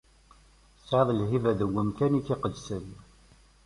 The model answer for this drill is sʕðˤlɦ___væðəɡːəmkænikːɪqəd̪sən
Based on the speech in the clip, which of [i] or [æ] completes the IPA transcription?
i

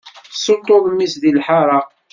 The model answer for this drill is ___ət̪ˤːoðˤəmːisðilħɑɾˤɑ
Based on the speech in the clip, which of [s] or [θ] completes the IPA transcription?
s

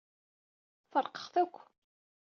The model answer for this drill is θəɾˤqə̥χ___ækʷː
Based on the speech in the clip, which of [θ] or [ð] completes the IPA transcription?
θ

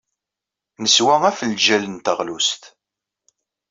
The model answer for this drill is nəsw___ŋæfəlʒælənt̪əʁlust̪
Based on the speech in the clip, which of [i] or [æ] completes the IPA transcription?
æ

